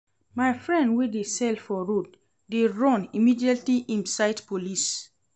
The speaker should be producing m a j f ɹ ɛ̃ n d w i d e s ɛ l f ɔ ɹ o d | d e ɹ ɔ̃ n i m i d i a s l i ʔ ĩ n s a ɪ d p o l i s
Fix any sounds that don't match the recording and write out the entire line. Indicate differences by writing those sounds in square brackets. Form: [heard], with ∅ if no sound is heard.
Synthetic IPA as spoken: m a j f ɹ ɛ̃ n d w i d e s ɛ l f ɔ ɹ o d | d e ɹ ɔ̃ n i m i d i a [t] l i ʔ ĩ n s a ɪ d p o l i s